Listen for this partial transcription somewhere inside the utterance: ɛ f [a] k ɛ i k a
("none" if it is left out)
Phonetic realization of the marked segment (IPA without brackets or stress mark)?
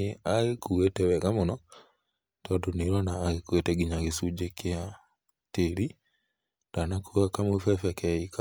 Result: ɛ